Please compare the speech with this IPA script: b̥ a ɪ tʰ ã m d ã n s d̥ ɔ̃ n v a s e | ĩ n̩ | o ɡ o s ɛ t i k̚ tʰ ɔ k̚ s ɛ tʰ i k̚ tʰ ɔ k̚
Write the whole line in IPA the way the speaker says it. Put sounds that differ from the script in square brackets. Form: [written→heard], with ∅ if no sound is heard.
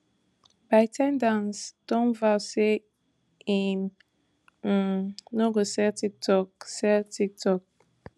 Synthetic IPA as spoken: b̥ a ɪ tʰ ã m d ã n s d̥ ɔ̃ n v a s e | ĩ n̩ | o ɡ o s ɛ t i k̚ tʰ ɔ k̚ s ɛ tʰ i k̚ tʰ ɔ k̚